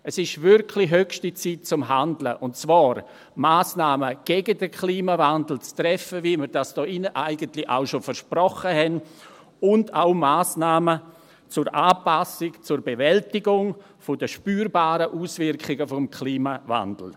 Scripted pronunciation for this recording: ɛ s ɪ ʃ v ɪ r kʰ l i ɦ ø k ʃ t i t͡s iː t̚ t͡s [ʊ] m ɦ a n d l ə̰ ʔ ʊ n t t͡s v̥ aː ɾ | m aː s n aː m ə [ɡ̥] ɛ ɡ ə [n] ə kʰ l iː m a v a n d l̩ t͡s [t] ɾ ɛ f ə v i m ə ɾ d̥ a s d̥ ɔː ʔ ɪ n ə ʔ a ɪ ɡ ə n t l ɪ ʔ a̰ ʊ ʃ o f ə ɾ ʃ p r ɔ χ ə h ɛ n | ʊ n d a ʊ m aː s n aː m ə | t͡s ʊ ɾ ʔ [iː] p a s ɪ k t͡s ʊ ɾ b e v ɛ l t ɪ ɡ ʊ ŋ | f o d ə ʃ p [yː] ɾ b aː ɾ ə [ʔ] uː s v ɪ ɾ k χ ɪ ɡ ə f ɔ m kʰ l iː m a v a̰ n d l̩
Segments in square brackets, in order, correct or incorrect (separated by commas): correct, correct, incorrect, correct, incorrect, correct, correct